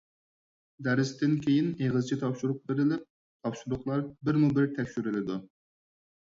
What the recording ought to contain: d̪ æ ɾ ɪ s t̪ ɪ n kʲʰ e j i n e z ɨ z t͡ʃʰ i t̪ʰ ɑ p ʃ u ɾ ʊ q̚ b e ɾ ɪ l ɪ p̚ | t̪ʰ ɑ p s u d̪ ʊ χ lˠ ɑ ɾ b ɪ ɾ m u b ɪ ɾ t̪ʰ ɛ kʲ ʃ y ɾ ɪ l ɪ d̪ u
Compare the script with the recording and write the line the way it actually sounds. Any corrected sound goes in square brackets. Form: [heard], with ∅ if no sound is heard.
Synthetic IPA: d̪ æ ɾ ɪ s t̪ ɪ n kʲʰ e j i n e [ʁ] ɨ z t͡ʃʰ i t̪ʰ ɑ p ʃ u ɾ ʊ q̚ b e ɾ ɪ l ɪ p̚ | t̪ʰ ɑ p [ʃ] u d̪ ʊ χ lˠ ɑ ɾ b ɪ ɾ m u b ɪ ɾ t̪ʰ ɛ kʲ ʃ y ɾ ɪ l ɪ d̪ u